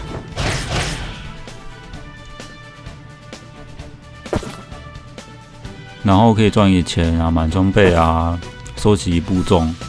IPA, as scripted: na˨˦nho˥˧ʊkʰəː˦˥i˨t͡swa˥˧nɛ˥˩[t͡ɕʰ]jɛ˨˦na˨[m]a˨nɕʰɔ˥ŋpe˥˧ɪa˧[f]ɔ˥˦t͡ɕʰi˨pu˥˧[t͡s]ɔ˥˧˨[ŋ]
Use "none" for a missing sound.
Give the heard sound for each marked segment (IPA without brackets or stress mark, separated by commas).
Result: t͡ɕʰ, m, s, t͡s, ŋ